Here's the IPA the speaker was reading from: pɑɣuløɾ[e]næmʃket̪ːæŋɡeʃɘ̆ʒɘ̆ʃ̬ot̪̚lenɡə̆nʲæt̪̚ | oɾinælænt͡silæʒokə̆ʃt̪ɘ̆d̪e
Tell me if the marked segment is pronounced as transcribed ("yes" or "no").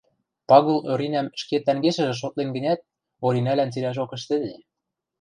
no